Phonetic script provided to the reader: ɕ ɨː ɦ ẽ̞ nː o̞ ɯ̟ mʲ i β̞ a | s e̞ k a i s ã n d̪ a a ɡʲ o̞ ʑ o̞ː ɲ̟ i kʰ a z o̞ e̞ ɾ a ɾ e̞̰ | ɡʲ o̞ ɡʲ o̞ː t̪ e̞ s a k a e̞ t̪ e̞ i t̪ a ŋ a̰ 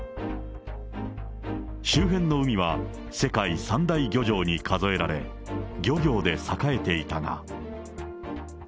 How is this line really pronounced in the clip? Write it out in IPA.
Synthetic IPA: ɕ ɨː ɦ ẽ̞ nː o̞ ɯ̟ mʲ i β̞ a | s e̞ k a i s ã n d̪ a i ɡʲ o̞ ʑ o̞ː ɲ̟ i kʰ a z o̞ e̞ ɾ a ɾ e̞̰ | ɡʲ o̞ ɡʲ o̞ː d̪ e̞ s a k a e̞ t̪ e̞ i t̪ a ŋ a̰